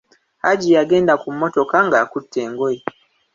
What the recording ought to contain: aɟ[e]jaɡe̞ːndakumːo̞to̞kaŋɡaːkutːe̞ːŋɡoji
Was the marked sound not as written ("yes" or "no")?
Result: yes